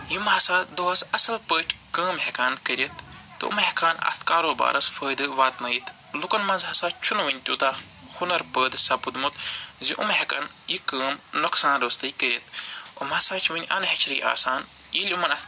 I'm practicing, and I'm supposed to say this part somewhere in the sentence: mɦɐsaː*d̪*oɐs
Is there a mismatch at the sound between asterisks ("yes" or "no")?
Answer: no